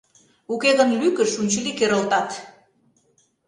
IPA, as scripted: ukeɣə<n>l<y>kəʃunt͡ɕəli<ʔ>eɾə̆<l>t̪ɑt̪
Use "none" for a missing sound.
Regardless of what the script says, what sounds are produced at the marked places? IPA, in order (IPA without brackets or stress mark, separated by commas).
n, y, k, l